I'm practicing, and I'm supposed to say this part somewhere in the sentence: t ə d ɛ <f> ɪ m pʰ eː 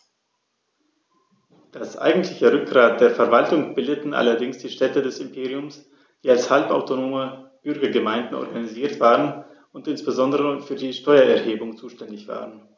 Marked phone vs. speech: incorrect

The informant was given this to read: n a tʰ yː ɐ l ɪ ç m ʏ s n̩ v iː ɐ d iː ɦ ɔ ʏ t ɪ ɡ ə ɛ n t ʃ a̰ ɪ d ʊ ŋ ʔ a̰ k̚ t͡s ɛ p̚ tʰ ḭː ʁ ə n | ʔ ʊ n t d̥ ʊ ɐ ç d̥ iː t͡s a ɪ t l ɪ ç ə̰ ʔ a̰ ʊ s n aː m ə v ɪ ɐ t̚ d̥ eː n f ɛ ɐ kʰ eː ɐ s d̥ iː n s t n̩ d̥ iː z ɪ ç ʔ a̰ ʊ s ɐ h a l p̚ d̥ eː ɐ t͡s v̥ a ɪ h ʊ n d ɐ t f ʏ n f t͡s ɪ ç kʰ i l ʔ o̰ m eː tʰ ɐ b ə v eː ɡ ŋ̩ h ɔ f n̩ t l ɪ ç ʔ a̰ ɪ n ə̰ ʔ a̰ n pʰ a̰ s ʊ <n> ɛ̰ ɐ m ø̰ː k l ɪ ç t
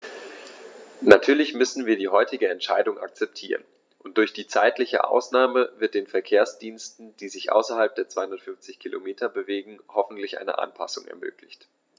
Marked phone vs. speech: incorrect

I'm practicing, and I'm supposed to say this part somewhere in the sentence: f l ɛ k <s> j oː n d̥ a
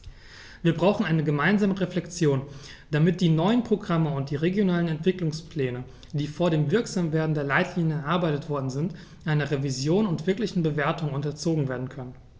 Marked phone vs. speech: incorrect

